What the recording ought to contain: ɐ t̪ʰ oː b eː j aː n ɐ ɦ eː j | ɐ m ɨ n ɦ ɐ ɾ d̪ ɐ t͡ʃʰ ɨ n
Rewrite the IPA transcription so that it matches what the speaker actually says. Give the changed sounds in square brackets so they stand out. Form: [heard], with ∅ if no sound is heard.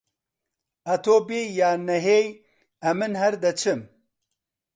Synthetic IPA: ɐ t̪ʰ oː b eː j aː n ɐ ɦ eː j | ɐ m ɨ n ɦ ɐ ɾ d̪ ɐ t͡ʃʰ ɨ [m]